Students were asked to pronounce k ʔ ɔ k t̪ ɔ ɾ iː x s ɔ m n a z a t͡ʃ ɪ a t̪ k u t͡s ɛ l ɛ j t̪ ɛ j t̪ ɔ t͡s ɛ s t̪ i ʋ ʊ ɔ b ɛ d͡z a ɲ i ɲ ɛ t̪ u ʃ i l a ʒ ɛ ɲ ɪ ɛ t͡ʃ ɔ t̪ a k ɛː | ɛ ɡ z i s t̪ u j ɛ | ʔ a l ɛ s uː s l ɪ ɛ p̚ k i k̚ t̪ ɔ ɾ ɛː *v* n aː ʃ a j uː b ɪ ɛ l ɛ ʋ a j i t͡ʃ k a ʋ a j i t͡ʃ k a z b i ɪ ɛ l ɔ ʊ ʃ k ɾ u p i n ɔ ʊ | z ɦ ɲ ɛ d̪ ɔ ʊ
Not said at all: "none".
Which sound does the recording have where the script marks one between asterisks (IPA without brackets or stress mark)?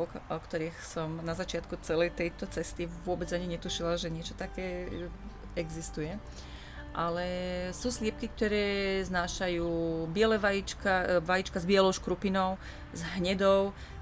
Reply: z